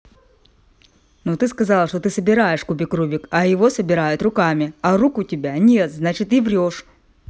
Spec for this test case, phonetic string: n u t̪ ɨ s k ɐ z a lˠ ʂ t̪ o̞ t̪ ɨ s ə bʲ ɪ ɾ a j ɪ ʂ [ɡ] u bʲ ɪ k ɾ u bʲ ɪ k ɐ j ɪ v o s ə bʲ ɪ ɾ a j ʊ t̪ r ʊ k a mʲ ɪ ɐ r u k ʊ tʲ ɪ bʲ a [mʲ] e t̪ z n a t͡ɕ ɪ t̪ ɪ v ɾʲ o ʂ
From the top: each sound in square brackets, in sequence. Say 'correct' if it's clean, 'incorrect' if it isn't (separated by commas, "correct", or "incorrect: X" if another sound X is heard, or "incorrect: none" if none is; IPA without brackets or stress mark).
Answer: incorrect: k, incorrect: nʲ